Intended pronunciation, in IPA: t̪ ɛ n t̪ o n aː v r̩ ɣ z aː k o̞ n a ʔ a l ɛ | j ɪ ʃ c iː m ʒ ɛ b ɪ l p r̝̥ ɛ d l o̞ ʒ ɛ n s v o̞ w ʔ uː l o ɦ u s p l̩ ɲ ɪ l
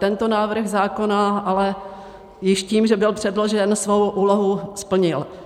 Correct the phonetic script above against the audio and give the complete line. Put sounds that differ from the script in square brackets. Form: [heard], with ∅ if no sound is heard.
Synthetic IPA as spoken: t̪ ɛ n t̪ o n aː v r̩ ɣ z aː k o̞ n a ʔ a l ɛ | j ɪ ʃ c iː m ʒ ɛ b ɪ l p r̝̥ ɛ d l o̞ ʒ ɛ n s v o̞ w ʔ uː l o ɦ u s p l̩ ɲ ɪ l